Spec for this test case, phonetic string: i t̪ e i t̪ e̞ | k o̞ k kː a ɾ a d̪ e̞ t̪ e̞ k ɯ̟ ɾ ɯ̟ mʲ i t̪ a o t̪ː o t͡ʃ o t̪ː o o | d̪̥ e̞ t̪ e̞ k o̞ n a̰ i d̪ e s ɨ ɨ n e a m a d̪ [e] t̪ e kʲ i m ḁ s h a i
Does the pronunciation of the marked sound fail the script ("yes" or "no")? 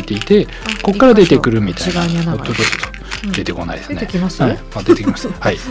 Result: no